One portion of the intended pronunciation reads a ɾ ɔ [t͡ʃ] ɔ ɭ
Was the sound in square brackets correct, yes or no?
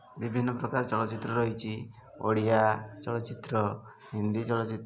yes